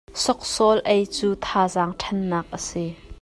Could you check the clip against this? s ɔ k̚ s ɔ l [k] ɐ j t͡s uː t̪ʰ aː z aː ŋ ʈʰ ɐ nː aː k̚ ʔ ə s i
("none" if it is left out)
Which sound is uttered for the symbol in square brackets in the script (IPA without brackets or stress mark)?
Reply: ʔ